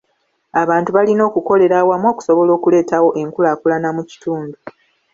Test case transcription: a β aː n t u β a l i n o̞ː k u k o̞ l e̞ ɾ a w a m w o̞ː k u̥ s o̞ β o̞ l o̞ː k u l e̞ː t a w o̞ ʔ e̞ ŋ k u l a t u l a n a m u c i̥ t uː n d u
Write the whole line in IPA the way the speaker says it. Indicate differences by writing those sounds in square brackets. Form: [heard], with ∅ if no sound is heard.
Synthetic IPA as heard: a β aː n t u β a l i n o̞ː k u k o̞ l e̞ ɾ a w a m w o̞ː k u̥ s o̞ β o̞ l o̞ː k u l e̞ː t a w o̞ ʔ e̞ ŋ k u l a [k] u l a n a m u c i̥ t uː n d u